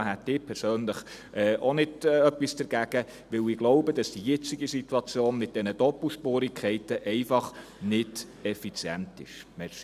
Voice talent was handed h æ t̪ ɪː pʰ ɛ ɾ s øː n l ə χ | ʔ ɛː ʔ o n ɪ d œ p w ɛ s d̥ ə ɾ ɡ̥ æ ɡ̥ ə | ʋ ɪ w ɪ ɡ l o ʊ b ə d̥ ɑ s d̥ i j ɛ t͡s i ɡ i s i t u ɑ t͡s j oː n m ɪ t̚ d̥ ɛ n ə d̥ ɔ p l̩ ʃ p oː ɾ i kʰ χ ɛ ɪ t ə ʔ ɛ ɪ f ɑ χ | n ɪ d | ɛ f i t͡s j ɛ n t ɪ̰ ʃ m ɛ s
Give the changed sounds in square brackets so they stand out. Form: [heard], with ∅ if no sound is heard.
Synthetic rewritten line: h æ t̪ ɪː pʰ ɛ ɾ s øː n l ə χ | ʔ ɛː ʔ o n ɪ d œ p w [i] s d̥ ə ɾ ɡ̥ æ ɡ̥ ə | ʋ ɪ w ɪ ɡ l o ʊ b ə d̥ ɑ s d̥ i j ɛ t͡s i ɡ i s i t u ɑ t͡s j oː n m ɪ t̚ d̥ ɛ n ə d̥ ɔ p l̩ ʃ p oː ɾ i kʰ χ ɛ ɪ t ə ʔ ɛ ɪ f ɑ χ | n ɪ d | ɛ f i t͡s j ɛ n t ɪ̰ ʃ m ɛ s